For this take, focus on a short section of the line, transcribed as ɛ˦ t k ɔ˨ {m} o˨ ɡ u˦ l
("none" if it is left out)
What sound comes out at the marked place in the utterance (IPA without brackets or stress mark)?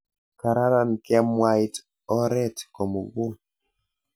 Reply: m